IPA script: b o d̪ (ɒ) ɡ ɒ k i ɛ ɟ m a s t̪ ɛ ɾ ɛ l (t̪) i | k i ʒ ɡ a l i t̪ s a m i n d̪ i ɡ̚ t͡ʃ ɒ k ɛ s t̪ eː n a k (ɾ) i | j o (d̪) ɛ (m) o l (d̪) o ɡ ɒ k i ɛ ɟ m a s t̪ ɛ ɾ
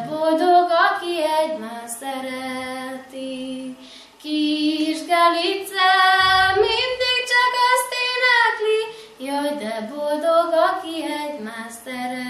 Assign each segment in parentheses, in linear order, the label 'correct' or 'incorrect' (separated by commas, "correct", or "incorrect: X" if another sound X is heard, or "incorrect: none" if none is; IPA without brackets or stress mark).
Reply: incorrect: o, correct, incorrect: l, correct, incorrect: b, correct